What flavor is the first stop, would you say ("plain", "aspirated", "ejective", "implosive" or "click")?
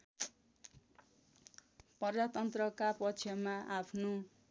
plain